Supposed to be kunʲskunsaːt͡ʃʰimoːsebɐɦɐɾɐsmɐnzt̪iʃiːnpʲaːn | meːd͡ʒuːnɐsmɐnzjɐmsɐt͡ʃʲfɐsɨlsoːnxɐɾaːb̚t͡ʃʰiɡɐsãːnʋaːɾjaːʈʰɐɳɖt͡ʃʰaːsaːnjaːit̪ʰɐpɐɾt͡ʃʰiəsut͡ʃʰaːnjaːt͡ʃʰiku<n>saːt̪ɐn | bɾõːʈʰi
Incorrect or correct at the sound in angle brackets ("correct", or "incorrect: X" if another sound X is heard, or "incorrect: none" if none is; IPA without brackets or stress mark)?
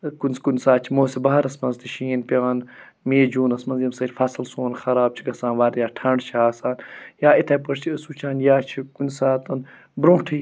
correct